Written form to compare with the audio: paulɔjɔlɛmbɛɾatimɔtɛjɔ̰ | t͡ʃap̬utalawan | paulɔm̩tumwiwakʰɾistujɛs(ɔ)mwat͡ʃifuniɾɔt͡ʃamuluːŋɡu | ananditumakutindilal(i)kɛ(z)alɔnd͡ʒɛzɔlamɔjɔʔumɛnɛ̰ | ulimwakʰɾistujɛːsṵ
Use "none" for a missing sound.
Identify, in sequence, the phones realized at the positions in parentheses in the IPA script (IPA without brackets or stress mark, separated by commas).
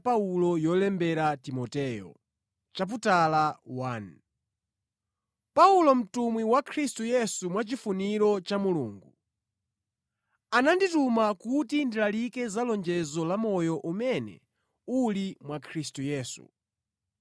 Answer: u, i, z